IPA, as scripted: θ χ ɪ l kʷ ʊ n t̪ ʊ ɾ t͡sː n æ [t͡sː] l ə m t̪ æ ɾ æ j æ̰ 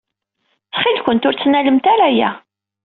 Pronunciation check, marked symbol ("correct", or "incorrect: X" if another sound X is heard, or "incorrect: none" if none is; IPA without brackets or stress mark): incorrect: none